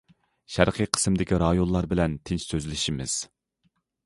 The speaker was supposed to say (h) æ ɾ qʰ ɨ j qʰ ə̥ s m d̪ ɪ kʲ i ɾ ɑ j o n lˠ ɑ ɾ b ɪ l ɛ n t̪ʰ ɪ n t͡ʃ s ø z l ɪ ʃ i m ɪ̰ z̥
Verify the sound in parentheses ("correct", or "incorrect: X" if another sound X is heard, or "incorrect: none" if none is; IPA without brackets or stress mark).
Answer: incorrect: ʃ